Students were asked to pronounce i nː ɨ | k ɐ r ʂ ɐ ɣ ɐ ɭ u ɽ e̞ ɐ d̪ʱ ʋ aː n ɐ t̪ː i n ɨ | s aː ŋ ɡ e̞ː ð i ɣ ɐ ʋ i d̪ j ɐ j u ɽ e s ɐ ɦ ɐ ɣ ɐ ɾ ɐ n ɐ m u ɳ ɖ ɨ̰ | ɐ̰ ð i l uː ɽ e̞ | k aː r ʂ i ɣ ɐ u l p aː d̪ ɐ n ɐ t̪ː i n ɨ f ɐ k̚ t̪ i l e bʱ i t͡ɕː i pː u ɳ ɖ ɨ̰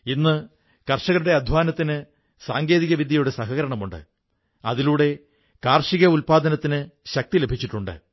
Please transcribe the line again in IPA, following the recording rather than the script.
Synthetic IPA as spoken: i nː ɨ | k ɐ r ʂ ɐ ɣ ɐ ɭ u ɽ e̞ ɐ d̪ʱ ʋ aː n ɐ t̪ː i n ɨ | s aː ŋ ɡ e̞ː ð i ɣ ɐ ʋ i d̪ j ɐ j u ɽ e s ɐ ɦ ɐ ɣ ɐ ɾ ɐ ɳ ɐ m u ɳ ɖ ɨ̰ | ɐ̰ ð i l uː ɽ e̞ | k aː r ʂ i ɣ ɐ u l p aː d̪ ɐ n ɐ t̪ː i n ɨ ɕ ɐ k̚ t̪ i l e bʱ i t͡ɕː i ʈː u ɳ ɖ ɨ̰

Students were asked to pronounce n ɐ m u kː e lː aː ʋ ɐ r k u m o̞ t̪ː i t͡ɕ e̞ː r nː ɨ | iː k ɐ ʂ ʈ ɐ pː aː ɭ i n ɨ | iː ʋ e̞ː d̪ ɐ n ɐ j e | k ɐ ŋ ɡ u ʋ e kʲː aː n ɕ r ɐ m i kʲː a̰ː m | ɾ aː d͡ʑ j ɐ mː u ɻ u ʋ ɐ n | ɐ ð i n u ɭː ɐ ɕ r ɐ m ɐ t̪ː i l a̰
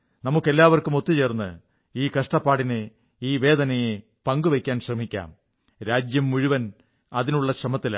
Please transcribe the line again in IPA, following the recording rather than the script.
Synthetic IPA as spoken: n ɐ m u kː e lː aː ʋ ɐ r k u m o̞ t̪ː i t͡ɕ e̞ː r nː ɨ | iː k ɐ ʂ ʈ ɐ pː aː ɽ i n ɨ | iː ʋ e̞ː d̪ ɐ n ɐ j e | p ɐ ŋ ɡ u ʋ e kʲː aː n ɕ r ɐ m i kʲː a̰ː m | ɾ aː d͡ʑ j ɐ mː u ɻ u ʋ ɐ n | ɐ ð i n u ɭː ɐ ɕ r ɐ m ɐ t̪ː i l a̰

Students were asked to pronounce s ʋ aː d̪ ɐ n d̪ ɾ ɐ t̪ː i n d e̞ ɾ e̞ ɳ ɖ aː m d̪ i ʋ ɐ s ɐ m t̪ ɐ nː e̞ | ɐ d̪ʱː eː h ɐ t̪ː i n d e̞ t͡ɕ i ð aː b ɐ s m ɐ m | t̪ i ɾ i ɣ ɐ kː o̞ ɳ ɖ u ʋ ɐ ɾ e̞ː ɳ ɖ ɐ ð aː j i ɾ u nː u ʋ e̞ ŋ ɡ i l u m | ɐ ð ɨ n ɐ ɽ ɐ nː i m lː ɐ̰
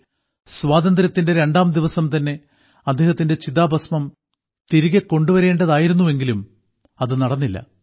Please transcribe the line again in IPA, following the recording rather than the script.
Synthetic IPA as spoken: s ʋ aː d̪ ɐ n d̪ ɾ ɐ t̪ː i n d e̞ ɾ e̞ ɳ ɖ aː m d̪ i ʋ ɐ s ɐ m t̪ ɐ nː e̞ | ɐ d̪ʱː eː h ɐ t̪ː i n d e̞ t͡ɕ i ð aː b ɐ s m ɐ m | t̪ i ɾ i ɣ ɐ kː o̞ ɳ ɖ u ʋ ɐ ɾ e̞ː ɳ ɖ ɐ ð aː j i ɾ u nː u ʋ e̞ ŋ ɡ i l u m | ɐ ð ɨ n ɐ ɽ ɐ nː i lː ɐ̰

